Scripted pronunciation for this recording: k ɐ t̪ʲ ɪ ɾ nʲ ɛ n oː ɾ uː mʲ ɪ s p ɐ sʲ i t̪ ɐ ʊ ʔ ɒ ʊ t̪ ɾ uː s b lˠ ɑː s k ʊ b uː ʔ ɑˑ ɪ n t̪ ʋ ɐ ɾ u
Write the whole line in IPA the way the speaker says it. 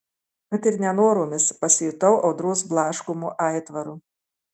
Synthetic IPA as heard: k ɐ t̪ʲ ɪ ɾ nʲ ɛ n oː ɾ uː mʲ ɪ s p ɐ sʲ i t̪ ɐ ʊ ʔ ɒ ʊ d̪ ɾ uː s b lˠ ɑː ʃ k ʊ m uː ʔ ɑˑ ɪ t̪ ʋ ɐ ɾ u

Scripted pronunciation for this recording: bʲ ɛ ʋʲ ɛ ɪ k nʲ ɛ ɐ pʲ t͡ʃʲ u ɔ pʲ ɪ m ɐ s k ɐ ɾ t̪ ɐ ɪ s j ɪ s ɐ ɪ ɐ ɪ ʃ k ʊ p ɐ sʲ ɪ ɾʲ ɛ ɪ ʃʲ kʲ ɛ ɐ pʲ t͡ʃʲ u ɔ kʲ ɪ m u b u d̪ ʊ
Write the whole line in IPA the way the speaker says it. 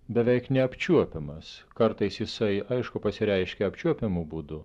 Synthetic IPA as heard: bʲ ɛ ʋʲ ɛ ɪ k nʲ ɛ ɐ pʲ t͡ʃʲ u ɔ pʲ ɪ m ɐ s k ɐ ɾ t̪ ɐ ɪ s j ɪ s ɐ ɪ ɐ ɪ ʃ k ʊ p ɐ sʲ ɪ ɾʲ ɛ ɪ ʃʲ kʲ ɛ ɐ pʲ t͡ʃʲ u ɔ pʲ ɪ m u b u d̪ ʊ

